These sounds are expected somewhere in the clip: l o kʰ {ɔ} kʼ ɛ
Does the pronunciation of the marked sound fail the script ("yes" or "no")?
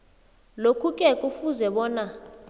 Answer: yes